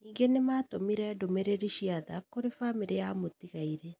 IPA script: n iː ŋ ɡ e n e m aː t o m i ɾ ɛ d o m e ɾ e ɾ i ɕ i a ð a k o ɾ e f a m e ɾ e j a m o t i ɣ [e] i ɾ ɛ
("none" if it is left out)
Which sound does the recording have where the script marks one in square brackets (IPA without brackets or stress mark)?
a